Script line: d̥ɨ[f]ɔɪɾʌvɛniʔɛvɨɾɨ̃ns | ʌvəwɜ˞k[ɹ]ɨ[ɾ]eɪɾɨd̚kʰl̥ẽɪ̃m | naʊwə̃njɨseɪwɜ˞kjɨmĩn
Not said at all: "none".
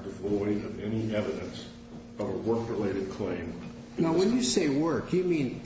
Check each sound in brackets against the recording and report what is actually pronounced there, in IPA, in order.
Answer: v, ɹ, l

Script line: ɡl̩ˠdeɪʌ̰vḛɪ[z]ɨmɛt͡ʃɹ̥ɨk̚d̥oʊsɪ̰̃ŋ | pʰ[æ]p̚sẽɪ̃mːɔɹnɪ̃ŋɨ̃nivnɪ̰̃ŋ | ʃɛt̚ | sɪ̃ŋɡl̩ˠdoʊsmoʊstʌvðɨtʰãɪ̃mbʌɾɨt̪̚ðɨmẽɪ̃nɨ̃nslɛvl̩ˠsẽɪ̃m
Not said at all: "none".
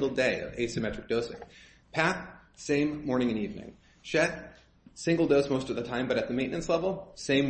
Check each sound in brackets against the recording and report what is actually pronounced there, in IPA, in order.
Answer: s, æ

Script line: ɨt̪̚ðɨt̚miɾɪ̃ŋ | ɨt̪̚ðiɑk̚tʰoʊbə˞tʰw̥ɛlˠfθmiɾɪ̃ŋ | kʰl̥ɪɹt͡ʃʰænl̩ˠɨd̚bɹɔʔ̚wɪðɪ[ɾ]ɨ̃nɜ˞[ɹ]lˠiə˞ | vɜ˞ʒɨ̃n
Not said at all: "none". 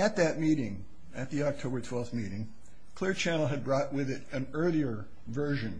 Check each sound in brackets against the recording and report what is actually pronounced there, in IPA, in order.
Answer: ɾ, none

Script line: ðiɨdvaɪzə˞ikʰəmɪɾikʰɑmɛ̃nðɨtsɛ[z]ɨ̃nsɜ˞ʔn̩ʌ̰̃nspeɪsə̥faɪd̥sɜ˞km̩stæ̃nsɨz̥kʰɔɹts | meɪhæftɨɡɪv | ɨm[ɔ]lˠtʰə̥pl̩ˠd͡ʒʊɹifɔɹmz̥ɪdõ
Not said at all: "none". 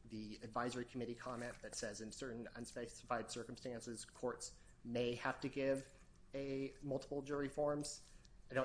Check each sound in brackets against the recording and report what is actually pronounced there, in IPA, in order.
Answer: z, ʌ

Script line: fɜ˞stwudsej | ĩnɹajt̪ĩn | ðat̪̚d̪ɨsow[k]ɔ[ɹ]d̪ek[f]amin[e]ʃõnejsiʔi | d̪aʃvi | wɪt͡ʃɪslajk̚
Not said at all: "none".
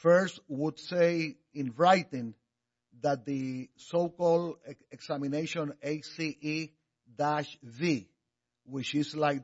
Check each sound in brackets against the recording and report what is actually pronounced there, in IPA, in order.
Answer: k, l, s, e

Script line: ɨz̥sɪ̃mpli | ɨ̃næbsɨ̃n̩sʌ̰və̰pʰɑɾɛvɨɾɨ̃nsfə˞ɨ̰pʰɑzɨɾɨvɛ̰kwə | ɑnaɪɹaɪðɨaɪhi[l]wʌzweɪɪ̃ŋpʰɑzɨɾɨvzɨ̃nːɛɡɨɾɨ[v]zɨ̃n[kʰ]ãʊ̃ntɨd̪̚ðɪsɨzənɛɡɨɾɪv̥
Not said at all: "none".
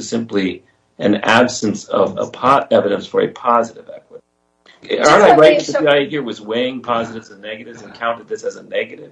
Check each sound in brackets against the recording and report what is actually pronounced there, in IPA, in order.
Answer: ɹ, v, kʰ

